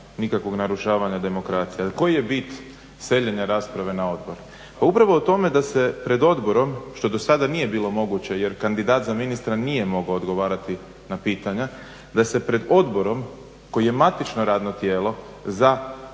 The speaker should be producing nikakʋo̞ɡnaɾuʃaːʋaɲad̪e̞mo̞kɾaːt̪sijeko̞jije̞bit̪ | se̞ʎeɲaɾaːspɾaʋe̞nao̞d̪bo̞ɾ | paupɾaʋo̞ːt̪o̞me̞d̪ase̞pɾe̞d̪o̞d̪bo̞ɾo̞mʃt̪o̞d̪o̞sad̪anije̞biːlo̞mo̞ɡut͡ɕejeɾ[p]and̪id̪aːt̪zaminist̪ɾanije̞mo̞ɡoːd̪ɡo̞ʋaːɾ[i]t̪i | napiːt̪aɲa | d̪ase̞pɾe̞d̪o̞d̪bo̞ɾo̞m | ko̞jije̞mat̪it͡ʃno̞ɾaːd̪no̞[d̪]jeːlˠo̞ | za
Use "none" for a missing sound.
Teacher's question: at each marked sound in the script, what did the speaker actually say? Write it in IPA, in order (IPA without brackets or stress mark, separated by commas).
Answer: k, a, t̪